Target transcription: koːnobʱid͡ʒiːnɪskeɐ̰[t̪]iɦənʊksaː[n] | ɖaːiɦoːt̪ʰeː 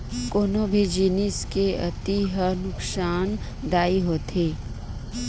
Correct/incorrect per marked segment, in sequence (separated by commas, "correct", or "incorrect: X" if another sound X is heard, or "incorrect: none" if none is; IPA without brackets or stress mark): correct, correct